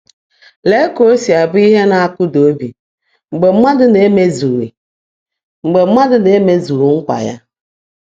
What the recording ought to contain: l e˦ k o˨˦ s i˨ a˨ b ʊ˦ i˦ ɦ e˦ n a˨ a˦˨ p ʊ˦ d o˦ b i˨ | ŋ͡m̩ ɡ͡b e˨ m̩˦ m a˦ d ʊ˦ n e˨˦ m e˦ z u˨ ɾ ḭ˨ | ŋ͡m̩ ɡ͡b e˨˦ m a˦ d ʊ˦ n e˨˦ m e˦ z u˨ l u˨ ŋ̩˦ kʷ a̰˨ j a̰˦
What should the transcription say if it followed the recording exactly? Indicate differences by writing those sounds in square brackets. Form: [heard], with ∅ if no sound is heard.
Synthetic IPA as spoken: l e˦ k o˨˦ s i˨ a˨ b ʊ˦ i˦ ɦ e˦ n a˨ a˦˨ [k] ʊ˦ d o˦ b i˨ | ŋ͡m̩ ɡ͡b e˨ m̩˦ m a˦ d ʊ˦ n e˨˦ m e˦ z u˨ ɾ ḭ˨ | ŋ͡m̩ ɡ͡b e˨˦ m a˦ d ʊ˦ n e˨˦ m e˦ z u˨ [ɾ] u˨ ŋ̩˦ kʷ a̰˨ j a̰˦